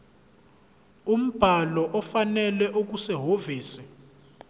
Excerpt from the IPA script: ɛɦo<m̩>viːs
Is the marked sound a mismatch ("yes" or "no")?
yes